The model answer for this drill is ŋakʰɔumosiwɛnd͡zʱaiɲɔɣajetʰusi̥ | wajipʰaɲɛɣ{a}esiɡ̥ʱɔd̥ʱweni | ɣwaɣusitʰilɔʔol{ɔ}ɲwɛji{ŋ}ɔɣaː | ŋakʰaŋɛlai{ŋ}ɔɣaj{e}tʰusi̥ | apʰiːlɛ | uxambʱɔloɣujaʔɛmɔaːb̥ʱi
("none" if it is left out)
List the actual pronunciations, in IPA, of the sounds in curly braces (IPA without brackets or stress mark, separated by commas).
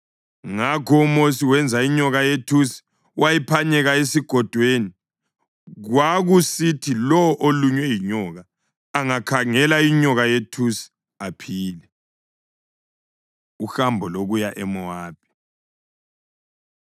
a, u, ɲ, ɲ, e